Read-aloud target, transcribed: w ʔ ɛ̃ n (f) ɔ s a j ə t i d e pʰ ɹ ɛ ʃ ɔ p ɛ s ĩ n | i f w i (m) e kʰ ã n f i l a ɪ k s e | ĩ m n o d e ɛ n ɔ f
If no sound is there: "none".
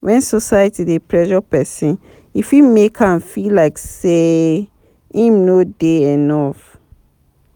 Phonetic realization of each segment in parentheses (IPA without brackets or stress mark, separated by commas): s, m